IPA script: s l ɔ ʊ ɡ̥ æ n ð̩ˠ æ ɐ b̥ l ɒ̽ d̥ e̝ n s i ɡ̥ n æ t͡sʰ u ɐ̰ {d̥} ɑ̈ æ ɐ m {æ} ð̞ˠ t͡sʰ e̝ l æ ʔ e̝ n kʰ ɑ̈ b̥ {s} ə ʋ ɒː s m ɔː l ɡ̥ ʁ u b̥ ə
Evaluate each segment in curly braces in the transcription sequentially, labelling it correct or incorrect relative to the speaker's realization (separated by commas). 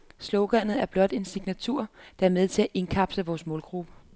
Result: correct, incorrect, correct